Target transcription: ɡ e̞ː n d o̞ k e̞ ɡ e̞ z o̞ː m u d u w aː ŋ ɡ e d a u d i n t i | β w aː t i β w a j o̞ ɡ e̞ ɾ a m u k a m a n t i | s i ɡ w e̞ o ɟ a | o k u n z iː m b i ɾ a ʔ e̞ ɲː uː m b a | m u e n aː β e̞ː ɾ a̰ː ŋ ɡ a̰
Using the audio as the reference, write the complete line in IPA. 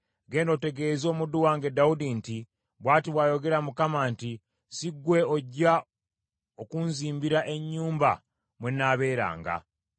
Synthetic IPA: ɡ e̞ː n d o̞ t e̞ ɡ e̞ z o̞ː m u d u w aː ŋ ɡ e d a u d i n t i | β w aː t i β w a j o̞ ɡ e̞ ɾ a m u k a m a n t i | s i ɡ w e̞ o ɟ a | o k u n z iː m b i ɾ a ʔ e̞ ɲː uː m b a | m w e n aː β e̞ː ɾ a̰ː ŋ ɡ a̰